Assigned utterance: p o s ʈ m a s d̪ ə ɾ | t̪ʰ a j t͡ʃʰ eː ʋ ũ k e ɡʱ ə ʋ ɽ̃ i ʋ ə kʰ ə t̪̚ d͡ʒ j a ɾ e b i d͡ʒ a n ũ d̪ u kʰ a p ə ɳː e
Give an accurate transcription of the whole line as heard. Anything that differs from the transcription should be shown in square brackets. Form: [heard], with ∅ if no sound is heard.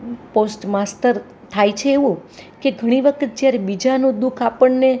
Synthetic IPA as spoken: p o s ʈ m a s [t̪] ə ɾ | t̪ʰ a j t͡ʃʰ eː ʋ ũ k e ɡʱ ə [∅] ɽ̃ i ʋ ə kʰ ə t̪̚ d͡ʒ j a ɾ e b i d͡ʒ a n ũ d̪ u kʰ a p ə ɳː e